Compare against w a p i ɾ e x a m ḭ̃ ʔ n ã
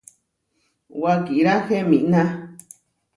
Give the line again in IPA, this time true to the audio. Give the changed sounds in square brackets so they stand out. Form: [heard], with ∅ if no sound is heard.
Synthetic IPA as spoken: w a [k] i ɾ [a] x [e] m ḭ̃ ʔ n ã